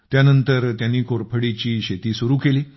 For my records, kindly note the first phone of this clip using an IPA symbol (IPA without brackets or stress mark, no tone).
t̪